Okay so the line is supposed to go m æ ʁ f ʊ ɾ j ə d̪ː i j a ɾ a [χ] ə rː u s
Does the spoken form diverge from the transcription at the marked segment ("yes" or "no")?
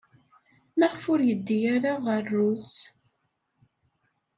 yes